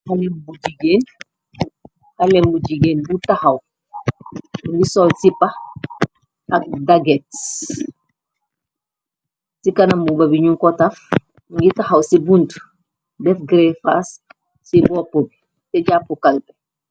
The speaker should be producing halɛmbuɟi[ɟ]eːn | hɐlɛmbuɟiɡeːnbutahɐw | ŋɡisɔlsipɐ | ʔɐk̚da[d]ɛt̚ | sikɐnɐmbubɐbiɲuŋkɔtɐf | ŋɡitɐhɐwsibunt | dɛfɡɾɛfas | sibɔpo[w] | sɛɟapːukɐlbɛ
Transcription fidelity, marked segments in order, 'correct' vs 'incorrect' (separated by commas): incorrect, incorrect, incorrect